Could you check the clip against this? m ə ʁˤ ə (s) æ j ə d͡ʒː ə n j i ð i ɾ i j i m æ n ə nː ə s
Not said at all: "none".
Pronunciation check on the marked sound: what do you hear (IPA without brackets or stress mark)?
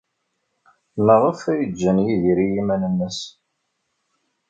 f